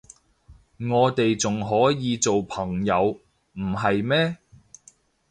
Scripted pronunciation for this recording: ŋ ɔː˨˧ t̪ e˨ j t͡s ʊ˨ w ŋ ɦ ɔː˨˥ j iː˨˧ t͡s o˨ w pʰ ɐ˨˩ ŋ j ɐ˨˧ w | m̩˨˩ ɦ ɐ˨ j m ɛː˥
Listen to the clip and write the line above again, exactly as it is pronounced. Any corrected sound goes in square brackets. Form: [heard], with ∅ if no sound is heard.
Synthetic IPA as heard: ŋ ɔː˨˧ t̪ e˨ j t͡s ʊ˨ [∅] ŋ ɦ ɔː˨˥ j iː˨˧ t͡s o˨ w pʰ ɐ˨˩ ŋ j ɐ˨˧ w | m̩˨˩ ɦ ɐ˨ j m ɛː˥